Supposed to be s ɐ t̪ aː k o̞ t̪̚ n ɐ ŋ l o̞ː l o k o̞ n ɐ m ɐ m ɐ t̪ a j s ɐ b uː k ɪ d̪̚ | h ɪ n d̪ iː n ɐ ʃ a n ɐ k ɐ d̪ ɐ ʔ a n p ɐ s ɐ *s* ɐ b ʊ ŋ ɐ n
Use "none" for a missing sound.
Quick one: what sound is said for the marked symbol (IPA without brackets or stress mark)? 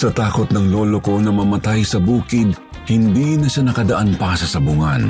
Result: s